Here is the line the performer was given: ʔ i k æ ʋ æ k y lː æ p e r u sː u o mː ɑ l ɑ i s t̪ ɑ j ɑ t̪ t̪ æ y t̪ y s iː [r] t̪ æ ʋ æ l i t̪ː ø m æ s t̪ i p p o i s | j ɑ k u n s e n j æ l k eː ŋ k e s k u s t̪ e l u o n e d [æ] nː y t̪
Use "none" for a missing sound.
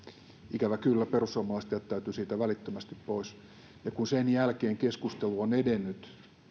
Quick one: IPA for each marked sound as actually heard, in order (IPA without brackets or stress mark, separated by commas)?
none, e